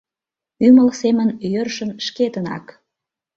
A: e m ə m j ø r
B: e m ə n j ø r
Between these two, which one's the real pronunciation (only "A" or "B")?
B